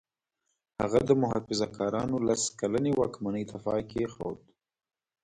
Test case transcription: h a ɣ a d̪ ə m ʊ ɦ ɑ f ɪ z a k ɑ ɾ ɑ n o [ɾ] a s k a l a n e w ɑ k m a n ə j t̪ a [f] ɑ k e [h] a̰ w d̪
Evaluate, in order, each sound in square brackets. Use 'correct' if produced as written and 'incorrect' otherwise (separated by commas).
incorrect, correct, incorrect